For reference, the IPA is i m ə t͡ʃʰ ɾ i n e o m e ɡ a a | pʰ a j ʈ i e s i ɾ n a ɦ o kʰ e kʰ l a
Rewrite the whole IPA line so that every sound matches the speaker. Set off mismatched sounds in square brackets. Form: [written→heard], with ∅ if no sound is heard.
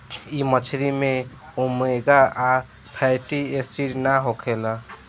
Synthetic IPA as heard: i m ə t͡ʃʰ ɾ i [n→m] e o m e ɡ a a | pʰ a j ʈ i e s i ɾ n a ɦ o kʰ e [kʰ→∅] l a